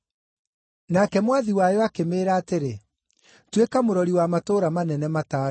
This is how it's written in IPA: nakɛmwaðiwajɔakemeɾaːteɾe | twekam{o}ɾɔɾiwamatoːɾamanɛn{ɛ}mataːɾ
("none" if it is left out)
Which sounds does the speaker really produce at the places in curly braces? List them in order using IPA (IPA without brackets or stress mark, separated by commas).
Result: o, ɛ